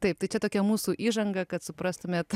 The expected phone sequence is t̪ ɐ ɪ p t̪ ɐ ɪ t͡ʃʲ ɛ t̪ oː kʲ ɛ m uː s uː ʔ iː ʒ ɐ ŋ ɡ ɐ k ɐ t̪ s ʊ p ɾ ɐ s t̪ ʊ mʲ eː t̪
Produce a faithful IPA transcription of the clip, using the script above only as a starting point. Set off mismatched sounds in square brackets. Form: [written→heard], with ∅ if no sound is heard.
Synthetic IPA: t̪ ɐ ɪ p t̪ ɐ ɪ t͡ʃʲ ɛ t̪ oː kʲ ɛ m uː s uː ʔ iː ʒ ɐ ŋ ɡ ɐ k ɐ t̪ s ʊ p ɾ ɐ s t̪ ʊ mʲ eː t̪